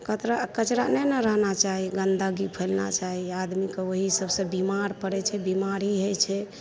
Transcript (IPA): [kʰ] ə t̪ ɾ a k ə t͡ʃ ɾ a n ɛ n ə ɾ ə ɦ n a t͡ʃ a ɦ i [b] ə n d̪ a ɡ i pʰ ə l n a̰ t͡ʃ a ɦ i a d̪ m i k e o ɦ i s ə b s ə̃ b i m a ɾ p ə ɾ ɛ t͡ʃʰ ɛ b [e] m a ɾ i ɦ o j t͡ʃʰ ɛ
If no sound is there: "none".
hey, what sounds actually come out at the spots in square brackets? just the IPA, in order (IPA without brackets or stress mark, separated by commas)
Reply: k, ɡ, i